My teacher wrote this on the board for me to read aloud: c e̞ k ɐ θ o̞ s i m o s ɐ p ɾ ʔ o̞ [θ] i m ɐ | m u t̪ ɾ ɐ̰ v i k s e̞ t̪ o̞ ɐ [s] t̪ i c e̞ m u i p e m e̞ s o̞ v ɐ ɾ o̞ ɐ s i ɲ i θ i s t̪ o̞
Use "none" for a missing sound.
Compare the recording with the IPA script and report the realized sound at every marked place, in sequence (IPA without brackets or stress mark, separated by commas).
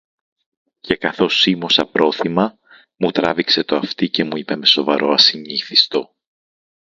θ, f